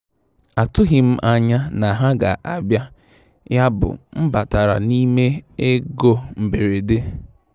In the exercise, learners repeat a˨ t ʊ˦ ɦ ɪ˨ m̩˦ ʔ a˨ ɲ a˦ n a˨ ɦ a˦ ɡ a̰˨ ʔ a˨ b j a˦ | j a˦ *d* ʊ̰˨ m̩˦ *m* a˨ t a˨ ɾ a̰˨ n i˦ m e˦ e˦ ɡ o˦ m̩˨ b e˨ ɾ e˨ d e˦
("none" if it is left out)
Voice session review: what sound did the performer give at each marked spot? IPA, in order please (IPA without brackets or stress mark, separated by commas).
b, b